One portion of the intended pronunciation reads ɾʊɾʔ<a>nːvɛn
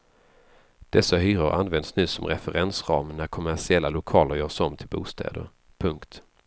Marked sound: correct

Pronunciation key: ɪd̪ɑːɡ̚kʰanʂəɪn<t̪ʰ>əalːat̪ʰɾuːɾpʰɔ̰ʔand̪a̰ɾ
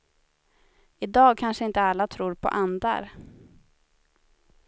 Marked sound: incorrect: t̪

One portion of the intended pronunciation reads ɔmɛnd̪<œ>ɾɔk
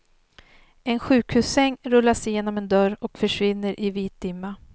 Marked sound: correct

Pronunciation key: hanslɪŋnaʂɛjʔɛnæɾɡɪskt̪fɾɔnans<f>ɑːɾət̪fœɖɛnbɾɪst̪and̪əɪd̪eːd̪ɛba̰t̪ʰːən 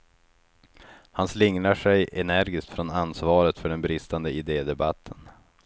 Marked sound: incorrect: v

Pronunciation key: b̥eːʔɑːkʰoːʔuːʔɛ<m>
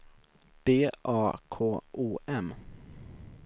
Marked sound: correct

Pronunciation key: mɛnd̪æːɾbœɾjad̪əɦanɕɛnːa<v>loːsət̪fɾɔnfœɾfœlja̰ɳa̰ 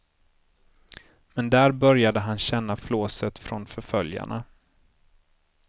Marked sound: incorrect: f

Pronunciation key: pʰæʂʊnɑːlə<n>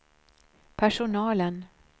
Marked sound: correct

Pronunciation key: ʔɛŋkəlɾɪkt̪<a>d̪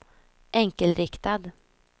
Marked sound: correct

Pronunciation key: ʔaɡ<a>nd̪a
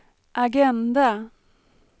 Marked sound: incorrect: ɛ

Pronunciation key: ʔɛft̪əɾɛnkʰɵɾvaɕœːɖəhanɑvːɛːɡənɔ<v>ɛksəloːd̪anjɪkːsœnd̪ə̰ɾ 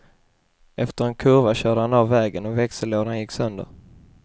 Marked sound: correct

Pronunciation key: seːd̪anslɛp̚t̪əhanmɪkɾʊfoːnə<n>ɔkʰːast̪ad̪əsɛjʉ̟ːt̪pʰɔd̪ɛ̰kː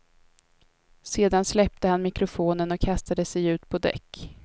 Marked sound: correct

